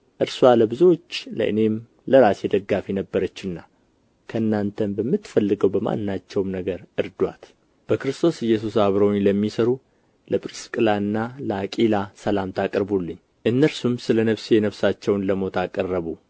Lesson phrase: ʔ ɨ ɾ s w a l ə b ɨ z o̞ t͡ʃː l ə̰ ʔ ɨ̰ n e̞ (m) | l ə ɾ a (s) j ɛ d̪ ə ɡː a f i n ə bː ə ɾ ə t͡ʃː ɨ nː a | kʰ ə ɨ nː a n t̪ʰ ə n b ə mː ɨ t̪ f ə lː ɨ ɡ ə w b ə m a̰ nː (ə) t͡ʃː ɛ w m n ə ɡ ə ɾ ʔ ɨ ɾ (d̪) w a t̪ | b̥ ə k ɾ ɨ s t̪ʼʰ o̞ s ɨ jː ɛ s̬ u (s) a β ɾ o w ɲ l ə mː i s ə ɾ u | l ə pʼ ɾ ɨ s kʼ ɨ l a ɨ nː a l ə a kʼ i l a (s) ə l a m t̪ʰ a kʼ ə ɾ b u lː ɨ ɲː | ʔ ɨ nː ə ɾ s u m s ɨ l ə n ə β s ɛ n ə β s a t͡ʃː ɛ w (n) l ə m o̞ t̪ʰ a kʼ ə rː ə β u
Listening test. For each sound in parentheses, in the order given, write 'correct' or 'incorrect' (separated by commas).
correct, correct, incorrect, correct, correct, correct, correct